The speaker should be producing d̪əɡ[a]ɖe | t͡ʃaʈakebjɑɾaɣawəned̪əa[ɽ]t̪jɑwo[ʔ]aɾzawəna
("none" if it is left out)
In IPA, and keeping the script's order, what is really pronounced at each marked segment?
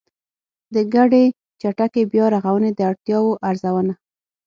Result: a, ɽ, ʔ

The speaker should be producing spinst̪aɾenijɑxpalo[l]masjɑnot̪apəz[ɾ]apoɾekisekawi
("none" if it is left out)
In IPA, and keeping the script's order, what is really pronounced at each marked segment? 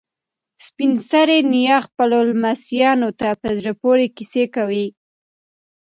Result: l, ɾ

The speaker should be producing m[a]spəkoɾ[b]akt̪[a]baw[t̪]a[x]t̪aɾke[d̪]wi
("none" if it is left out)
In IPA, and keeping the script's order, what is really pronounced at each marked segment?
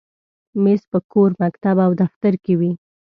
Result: e, m, a, d̪, f, none

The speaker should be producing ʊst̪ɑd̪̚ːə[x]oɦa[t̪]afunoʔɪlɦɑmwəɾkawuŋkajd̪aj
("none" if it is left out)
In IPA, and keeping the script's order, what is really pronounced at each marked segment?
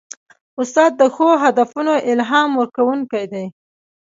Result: x, d̪

